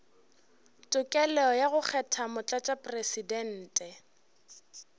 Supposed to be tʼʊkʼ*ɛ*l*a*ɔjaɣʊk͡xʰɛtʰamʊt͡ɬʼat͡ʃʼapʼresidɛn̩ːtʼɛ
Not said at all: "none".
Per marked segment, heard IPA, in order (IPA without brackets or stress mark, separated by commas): ɛ, ɛ